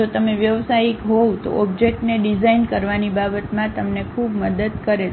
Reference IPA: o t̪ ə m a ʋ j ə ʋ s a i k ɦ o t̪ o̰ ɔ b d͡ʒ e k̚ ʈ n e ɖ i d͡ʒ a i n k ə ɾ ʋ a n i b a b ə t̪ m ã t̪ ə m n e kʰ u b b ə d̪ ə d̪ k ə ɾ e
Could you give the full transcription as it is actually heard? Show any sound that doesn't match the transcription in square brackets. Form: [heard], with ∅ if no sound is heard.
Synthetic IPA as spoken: o t̪ ə m [e] ʋ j ə ʋ s a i k ɦ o t̪ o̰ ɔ b d͡ʒ e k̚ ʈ n e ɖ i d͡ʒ a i n k ə ɾ ʋ a n i b a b ə t̪ m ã t̪ ə m n e kʰ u b [m] ə d̪ ə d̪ k ə ɾ e